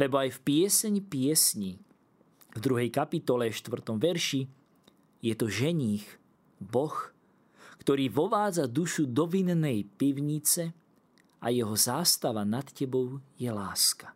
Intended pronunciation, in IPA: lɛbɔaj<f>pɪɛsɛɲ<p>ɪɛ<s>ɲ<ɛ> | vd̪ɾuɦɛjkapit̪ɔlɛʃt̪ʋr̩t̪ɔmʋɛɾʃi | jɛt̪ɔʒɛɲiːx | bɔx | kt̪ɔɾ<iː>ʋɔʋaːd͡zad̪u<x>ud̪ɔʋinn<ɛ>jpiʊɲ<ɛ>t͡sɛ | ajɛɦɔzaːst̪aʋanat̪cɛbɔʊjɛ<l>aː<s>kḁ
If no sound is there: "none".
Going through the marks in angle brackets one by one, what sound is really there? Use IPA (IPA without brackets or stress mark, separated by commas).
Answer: f, p, s, i, iː, ʃ, ɛ, i, l, s